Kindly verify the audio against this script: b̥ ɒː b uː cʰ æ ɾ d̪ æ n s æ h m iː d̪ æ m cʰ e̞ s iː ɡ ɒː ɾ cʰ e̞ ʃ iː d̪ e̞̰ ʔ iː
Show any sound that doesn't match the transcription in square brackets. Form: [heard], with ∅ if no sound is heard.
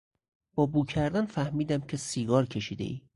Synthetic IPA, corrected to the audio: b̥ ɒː b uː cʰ æ ɾ d̪ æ n [f] æ h m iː d̪ æ m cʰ e̞ s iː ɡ ɒː ɾ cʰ e̞ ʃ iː d̪ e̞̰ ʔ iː